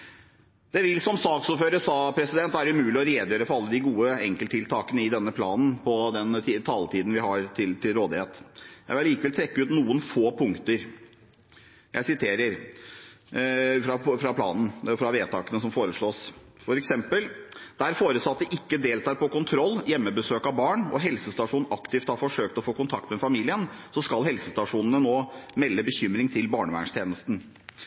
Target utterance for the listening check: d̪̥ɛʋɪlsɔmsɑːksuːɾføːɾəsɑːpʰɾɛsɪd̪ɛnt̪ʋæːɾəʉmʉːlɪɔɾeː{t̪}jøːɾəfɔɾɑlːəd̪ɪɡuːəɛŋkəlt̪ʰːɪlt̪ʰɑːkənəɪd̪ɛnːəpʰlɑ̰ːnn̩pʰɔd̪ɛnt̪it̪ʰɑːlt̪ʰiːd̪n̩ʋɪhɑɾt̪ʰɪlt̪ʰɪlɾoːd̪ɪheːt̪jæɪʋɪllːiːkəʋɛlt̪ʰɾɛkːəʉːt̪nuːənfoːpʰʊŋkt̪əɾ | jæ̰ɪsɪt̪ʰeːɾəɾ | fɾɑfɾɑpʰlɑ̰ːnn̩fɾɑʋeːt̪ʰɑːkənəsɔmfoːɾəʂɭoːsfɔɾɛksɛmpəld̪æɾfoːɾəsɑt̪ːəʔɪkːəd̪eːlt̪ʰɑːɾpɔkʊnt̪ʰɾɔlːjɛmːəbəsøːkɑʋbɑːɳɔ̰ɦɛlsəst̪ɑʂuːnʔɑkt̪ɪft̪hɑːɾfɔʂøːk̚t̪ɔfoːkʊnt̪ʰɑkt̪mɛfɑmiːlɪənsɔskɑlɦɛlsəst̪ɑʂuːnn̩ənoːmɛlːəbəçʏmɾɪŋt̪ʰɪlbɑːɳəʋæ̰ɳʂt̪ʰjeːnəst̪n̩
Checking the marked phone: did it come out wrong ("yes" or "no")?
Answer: yes